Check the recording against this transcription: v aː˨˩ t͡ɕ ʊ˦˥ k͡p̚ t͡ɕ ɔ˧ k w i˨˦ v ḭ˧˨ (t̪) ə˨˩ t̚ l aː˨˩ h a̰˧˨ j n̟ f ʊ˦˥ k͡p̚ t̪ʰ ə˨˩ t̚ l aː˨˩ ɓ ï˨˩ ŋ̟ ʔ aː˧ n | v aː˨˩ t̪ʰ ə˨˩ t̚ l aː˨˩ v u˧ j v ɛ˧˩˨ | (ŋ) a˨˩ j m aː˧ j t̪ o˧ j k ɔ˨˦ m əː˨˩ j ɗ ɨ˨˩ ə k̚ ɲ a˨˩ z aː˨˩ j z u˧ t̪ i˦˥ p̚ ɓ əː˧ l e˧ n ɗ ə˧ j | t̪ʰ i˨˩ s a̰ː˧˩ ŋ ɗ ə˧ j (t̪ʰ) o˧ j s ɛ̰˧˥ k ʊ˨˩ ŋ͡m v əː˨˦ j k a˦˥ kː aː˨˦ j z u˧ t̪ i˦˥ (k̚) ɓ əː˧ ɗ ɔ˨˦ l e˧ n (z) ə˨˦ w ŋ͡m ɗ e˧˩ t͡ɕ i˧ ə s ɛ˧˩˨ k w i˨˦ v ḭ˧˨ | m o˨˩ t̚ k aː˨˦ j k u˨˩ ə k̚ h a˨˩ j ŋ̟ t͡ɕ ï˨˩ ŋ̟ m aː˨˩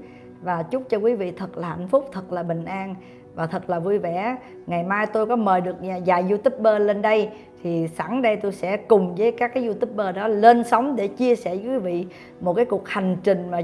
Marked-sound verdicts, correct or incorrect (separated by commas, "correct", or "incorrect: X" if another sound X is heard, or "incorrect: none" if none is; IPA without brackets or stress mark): incorrect: t̪ʰ, correct, incorrect: t̪, incorrect: p̚, incorrect: s